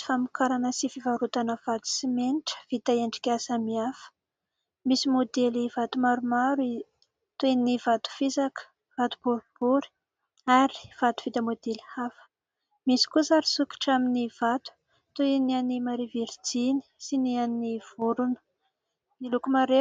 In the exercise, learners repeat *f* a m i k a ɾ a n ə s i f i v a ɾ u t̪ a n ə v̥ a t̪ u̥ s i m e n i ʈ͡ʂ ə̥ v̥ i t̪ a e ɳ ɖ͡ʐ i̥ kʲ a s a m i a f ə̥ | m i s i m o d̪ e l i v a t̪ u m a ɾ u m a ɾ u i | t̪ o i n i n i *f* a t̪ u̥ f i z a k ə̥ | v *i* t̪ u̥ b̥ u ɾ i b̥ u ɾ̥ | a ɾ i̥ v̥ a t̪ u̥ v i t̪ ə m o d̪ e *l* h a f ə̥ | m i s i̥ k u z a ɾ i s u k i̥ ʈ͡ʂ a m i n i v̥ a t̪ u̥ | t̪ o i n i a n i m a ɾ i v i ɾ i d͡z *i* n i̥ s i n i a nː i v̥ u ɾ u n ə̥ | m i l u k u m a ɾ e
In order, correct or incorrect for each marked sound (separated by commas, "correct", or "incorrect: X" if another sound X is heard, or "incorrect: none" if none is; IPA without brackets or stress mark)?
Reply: correct, incorrect: v, incorrect: a, correct, correct